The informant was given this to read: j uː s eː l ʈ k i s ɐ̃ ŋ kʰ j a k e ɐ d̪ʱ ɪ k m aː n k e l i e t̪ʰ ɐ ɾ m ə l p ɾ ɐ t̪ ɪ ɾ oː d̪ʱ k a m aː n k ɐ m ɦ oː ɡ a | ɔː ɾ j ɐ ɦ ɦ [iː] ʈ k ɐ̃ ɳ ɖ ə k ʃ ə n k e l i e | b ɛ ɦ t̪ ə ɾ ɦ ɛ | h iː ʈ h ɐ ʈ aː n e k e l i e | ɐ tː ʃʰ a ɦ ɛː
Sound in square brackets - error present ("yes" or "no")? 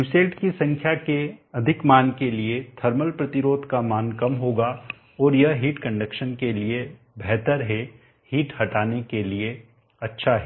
no